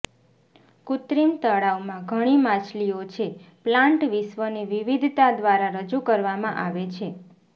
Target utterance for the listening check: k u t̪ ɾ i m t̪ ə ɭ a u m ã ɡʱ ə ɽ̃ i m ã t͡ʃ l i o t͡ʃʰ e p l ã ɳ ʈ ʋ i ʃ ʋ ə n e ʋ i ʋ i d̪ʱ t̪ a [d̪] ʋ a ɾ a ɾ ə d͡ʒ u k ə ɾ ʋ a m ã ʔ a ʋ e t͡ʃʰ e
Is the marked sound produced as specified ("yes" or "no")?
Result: yes